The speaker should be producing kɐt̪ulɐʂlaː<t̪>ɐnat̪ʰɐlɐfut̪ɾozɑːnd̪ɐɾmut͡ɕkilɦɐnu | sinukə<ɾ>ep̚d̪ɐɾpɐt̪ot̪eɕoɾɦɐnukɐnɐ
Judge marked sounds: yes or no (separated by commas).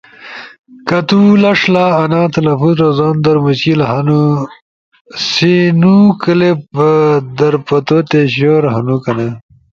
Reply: no, no